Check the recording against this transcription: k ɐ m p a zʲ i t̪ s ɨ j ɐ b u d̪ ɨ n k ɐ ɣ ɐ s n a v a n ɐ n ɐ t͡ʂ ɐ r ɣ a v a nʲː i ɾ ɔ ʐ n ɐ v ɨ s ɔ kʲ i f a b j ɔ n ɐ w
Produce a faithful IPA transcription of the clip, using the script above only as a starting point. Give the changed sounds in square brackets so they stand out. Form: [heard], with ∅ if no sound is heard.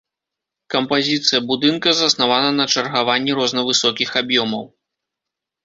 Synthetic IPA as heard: k ɐ m p a zʲ i t̪ s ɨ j ɐ b u d̪ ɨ n k ɐ [z] ɐ s n a v a n ɐ n ɐ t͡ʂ ɐ r ɣ a v a nʲː i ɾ ɔ [z] n ɐ v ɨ s ɔ kʲ i [x] a b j ɔ [m] ɐ w